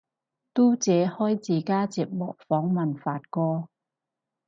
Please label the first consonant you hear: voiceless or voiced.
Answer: voiceless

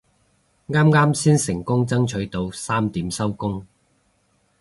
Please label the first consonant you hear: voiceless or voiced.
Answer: voiced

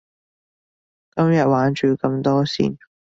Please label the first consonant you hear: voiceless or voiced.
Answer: voiceless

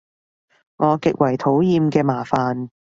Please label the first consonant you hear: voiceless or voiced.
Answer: voiced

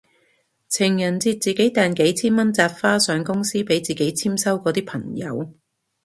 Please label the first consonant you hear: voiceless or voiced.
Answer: voiceless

